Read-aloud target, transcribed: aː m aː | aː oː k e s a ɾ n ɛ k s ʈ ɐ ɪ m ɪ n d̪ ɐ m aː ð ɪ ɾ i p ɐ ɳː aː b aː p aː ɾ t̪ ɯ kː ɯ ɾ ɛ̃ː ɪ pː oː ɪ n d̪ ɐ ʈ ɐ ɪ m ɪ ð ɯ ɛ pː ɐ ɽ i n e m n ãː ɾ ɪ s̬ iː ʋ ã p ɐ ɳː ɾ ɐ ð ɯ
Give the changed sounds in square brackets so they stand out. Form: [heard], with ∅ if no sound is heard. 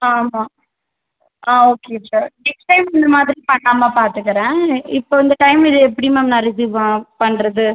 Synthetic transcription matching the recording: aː m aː | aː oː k e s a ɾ n ɛ k s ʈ ɐ ɪ m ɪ n d̪ ɐ m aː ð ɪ ɾ i p ɐ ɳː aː [m] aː p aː ɾ t̪ ɯ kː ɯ ɾ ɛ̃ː ɪ pː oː ɪ n d̪ ɐ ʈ ɐ ɪ m ɪ ð ɯ ɛ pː ɐ ɽ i [m] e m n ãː ɾ ɪ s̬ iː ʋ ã p ɐ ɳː ɾ ɐ ð ɯ